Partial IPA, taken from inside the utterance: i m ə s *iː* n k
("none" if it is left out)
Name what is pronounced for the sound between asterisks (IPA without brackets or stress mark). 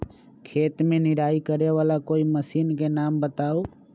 iː